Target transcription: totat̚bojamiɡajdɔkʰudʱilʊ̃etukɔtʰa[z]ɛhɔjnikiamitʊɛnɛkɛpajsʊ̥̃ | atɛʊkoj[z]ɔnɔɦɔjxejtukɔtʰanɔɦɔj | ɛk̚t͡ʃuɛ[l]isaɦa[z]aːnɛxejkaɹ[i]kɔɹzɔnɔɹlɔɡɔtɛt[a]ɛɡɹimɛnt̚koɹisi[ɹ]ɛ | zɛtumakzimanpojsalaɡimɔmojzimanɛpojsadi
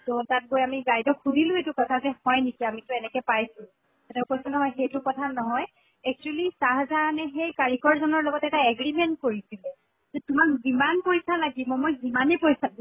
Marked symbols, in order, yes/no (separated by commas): yes, no, yes, yes, yes, yes, no